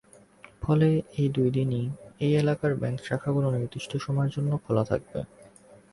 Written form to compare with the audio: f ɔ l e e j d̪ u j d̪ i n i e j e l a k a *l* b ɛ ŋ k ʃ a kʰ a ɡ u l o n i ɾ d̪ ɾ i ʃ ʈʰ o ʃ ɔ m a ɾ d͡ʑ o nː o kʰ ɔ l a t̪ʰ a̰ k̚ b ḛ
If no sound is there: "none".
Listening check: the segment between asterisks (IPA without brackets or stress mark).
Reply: ɾ